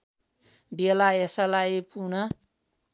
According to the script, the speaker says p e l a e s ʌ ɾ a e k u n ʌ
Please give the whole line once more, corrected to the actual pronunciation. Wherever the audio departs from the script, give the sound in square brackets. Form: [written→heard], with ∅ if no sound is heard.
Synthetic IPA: [p→b] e l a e s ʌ [ɾ→l] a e [k→p] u n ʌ